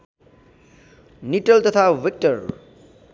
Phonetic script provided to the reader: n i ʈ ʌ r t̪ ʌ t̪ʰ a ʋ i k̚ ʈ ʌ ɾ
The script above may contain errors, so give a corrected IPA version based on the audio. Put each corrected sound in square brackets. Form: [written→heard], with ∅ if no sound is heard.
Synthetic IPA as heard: n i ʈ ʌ [r→l] t̪ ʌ t̪ʰ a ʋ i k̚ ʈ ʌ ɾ